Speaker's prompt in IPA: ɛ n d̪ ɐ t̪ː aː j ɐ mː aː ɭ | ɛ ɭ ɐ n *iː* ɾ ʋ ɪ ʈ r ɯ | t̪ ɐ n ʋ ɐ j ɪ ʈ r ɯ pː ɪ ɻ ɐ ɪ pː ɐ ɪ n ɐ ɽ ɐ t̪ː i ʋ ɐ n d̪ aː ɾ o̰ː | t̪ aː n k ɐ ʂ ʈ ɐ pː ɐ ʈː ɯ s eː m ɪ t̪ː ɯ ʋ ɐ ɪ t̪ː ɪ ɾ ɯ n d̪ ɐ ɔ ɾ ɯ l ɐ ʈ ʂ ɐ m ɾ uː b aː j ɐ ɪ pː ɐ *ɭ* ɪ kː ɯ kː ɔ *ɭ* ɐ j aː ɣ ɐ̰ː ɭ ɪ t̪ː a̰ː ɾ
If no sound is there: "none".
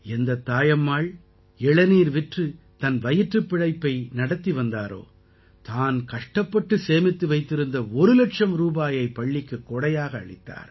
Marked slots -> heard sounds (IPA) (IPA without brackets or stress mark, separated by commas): iː, ɭː, ɽ